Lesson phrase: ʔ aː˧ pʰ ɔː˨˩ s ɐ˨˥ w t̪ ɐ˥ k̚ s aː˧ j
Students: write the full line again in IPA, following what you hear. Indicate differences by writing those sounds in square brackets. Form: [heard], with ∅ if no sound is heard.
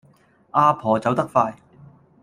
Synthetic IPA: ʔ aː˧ pʰ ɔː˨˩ [t͡s] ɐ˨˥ w t̪ ɐ˥ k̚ [f] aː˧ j